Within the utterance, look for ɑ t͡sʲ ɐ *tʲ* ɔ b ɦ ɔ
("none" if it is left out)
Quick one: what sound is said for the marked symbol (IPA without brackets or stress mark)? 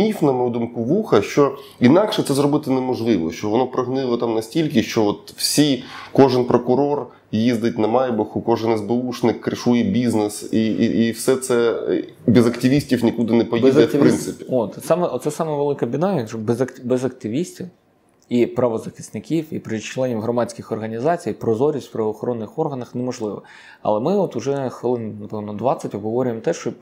tʲ